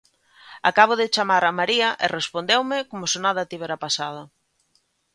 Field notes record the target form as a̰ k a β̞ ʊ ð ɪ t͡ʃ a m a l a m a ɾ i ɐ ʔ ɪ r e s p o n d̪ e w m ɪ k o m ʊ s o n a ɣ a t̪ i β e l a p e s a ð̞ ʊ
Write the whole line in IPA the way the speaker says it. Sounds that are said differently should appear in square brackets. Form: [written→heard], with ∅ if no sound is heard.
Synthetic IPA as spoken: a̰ k a β̞ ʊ ð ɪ t͡ʃ a m a [l→ɾ] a m a ɾ i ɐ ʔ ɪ r e s p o n d̪ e w m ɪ k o m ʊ s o n a [ɣ→ð] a t̪ i β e [l→ɾ] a p [e→a] s a ð̞ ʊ